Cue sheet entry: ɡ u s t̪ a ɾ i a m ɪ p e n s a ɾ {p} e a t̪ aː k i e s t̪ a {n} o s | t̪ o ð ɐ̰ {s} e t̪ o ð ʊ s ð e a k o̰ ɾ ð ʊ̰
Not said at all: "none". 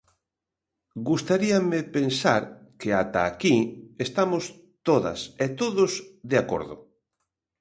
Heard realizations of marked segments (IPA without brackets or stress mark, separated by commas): k, m, s